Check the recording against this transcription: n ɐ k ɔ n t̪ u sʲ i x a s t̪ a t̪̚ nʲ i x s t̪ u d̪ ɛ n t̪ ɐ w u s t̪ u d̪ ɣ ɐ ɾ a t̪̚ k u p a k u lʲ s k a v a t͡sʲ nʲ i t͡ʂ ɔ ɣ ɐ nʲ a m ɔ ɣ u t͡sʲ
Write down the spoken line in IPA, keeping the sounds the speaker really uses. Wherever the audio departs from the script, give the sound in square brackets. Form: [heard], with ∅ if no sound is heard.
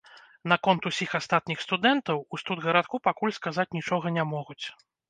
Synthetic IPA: n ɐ k ɔ n t̪ u sʲ i x a s t̪ a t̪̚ nʲ i x s t̪ u d̪ ɛ n t̪ ɐ w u s t̪ u d̪ ɣ ɐ ɾ a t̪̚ k u p a k u lʲ s k a [z] a t͡sʲ nʲ i t͡ʂ ɔ ɣ ɐ nʲ a m ɔ ɣ u t͡sʲ